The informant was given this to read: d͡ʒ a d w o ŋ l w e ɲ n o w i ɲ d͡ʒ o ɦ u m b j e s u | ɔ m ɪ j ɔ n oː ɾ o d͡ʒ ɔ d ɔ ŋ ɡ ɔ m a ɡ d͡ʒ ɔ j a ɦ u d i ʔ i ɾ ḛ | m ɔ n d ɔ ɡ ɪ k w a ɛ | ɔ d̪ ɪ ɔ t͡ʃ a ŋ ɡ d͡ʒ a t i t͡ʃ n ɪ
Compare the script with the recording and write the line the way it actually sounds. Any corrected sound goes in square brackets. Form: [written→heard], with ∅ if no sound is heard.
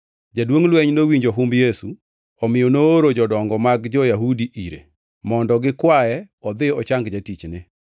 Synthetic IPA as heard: d͡ʒ a d w o ŋ l w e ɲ n o w i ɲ d͡ʒ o ɦ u m b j e s u | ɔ m ɪ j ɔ n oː ɾ o d͡ʒ ɔ d ɔ ŋ ɡ ɔ m a ɡ d͡ʒ ɔ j a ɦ u d i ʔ i ɾ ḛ | m ɔ n d ɔ ɡ ɪ k w a ɛ | ɔ d̪ ɪ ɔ t͡ʃ a ŋ ɡ d͡ʒ a t i t͡ʃ n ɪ